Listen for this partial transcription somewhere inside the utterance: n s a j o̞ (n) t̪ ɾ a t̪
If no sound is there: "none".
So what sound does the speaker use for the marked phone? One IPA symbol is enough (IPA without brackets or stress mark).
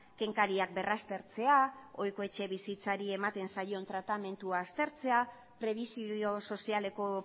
n